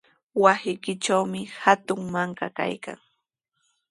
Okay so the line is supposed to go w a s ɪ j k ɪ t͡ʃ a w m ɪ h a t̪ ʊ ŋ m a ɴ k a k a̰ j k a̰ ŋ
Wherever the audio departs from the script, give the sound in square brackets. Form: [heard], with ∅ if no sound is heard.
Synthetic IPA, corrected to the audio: w a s ɪ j k ɪ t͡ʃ a w m ɪ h a t̪ ʊ ŋ m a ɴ k a k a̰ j k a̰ ŋ